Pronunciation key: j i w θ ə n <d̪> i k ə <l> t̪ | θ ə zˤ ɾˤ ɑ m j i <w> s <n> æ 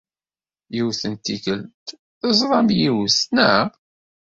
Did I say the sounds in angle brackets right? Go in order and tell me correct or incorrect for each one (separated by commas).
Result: incorrect, correct, correct, correct